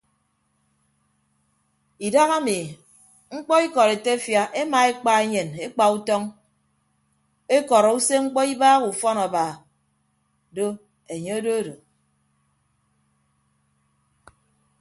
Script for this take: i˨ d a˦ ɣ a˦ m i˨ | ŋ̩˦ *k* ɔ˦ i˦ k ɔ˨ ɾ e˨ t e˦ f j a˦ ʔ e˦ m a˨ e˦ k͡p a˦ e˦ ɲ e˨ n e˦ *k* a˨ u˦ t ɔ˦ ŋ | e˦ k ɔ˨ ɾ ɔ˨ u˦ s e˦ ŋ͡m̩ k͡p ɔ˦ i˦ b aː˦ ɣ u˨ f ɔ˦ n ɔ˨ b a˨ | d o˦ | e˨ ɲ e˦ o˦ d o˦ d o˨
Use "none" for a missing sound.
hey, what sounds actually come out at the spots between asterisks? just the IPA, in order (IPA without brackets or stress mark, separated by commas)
k͡p, k͡p